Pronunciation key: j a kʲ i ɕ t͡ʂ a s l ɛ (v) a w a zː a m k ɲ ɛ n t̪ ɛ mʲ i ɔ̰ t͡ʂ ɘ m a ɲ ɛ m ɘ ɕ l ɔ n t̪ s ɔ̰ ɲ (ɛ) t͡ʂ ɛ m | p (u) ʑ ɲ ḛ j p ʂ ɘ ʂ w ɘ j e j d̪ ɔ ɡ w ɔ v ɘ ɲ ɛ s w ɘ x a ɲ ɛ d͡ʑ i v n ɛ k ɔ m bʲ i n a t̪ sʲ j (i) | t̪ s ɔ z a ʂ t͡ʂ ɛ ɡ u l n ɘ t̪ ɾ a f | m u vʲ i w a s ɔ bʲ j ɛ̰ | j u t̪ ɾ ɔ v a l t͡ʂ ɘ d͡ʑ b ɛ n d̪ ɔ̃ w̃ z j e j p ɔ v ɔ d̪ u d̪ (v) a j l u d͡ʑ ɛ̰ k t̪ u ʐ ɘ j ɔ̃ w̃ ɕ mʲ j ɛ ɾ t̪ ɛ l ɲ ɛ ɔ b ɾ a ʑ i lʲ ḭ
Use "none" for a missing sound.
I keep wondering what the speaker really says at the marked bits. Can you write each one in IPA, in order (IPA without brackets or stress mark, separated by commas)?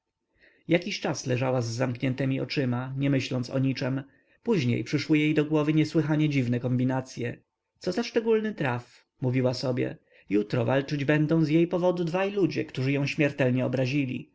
ʐ, i, u, ɛ, v